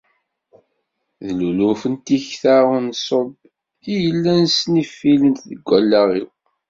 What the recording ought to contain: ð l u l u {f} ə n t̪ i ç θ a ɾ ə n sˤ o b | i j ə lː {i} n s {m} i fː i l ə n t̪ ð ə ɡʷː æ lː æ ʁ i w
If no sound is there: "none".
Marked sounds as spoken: f, æ, n

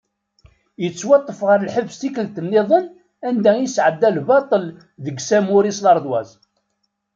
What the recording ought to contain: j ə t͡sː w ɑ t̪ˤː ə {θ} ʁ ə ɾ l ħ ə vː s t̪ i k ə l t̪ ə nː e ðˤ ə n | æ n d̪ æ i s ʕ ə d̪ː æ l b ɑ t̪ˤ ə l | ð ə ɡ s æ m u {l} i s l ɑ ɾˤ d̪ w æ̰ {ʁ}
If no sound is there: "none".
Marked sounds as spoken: f, ɾ, z

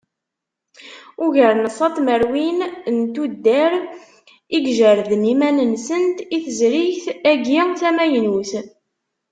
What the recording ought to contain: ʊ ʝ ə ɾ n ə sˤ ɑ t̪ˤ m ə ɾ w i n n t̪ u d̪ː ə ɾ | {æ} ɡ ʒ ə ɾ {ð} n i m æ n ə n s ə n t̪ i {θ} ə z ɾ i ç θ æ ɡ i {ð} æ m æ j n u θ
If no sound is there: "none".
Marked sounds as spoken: i, ð, θ, θ

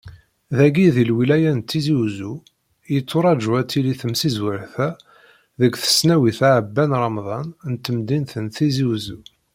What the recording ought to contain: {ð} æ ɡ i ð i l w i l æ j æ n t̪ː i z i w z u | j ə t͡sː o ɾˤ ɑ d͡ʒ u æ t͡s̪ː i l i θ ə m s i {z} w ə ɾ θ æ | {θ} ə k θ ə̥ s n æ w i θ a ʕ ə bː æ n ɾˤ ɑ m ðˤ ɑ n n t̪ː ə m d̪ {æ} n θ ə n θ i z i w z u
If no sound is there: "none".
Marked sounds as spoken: ð, z, ð, i

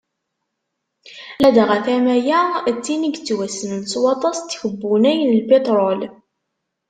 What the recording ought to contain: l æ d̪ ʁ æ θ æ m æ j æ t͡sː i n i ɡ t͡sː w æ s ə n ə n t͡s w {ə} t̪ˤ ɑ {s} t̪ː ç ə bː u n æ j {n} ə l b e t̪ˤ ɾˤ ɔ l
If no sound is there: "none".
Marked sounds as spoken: ɑ, s, n

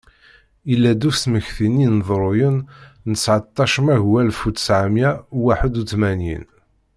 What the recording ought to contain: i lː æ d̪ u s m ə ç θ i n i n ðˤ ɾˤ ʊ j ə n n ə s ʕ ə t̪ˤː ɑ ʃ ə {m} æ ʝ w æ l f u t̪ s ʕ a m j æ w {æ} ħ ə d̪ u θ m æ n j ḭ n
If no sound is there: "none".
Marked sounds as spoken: m, a

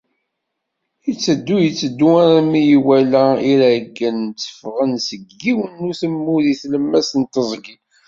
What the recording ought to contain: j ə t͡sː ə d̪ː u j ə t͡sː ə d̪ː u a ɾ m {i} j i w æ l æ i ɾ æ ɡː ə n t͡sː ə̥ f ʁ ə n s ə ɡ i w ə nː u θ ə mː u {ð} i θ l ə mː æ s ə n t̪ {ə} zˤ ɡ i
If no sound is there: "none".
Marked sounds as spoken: i, ð, ə

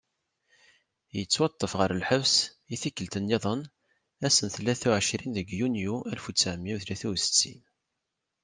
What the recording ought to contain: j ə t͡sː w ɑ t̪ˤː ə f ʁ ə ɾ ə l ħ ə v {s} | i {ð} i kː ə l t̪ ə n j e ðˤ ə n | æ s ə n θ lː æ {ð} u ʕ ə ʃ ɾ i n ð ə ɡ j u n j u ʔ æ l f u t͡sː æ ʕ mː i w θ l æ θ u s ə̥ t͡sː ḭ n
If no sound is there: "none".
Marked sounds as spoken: s, θ, θ

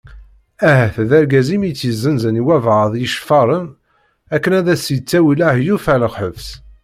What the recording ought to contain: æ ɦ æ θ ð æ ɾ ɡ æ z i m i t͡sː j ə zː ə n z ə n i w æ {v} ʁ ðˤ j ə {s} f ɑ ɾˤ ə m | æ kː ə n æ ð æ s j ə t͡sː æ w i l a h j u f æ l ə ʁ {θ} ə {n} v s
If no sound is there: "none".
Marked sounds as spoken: v, ʃ, ħ, none

